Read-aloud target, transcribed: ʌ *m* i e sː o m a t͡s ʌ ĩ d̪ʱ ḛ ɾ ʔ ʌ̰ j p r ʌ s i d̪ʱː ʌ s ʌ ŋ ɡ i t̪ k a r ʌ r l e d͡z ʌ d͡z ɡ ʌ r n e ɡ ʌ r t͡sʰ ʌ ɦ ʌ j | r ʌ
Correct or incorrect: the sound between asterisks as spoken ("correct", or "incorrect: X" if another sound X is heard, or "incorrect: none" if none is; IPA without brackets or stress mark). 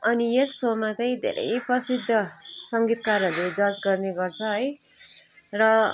incorrect: n